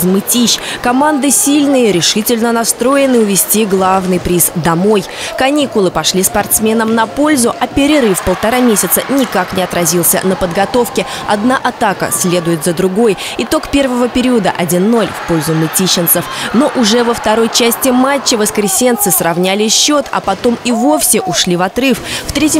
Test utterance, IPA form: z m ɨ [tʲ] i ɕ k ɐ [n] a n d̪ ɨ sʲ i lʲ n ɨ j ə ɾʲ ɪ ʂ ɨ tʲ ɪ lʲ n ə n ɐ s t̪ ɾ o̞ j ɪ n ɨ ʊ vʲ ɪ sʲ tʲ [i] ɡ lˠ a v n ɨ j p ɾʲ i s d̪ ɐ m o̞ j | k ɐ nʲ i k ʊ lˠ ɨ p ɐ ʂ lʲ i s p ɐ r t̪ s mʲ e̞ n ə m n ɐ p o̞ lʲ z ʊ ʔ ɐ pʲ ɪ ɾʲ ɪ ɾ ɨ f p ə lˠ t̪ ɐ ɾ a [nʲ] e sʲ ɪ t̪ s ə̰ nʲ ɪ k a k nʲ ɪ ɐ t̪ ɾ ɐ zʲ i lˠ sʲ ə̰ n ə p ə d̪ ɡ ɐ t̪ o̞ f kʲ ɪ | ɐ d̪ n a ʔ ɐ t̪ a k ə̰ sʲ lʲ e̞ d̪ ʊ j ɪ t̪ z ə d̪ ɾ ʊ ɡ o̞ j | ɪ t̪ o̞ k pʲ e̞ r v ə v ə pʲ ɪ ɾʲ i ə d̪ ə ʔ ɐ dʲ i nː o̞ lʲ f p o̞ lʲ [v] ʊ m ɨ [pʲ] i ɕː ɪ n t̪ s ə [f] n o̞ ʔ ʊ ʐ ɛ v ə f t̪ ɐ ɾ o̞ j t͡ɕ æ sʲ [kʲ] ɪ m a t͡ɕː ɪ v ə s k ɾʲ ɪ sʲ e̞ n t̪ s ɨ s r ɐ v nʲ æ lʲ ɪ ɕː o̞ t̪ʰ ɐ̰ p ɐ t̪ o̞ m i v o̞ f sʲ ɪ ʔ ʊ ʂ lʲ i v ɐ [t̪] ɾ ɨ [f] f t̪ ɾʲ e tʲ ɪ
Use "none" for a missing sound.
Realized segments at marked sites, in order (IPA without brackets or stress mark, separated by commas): tʲ, m, i, mʲ, z, tʲ, f, tʲ, t̪, f